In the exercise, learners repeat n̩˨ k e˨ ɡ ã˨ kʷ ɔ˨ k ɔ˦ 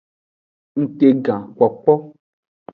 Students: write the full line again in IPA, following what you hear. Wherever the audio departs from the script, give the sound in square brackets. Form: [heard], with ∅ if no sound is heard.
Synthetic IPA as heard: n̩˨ [t] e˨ ɡ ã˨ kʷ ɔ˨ [k͡p] ɔ˦

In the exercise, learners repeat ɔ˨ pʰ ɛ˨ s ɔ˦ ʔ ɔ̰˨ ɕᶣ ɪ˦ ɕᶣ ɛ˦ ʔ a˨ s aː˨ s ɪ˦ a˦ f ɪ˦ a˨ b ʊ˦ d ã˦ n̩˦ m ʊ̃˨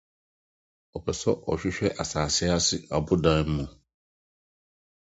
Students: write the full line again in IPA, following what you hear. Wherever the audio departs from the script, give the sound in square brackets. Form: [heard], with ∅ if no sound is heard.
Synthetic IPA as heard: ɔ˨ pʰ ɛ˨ s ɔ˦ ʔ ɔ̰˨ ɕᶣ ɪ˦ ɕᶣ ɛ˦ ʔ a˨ s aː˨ s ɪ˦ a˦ [s] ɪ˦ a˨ b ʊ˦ d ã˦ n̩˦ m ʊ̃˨

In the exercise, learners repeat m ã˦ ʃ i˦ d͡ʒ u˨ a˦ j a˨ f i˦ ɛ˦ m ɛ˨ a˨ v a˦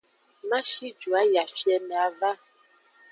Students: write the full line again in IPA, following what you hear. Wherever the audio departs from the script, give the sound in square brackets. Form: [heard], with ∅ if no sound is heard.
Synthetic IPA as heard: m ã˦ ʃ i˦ d͡ʒ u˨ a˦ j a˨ f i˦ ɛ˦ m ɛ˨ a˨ v a˦

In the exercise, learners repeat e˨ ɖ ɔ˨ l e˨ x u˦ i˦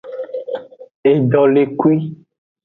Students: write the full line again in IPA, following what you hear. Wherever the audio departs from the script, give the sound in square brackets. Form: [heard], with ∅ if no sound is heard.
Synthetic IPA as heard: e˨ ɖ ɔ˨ l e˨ [k] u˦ i˦

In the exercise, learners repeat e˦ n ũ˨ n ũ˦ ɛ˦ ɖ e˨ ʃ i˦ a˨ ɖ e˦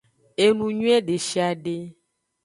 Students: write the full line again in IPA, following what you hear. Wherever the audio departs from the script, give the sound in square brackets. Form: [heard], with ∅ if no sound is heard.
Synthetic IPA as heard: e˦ n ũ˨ [ɲ] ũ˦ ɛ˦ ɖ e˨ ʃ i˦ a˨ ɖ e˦

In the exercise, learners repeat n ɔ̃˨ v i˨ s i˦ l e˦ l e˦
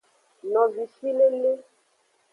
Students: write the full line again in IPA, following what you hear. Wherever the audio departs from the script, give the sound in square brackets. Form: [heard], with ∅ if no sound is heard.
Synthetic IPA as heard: n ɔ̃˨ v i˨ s i˦ l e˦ l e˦

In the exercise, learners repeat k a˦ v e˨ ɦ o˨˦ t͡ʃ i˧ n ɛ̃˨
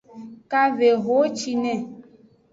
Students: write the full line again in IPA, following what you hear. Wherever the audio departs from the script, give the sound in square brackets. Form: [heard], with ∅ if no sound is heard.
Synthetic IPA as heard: k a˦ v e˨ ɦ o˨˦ t͡ʃ i˧ n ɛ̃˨

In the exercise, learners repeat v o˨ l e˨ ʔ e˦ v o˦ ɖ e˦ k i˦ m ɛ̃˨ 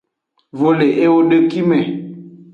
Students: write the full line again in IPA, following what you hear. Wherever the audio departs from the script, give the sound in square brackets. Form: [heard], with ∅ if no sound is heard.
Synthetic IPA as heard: v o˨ l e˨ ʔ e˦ [w] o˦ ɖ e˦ k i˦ m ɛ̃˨

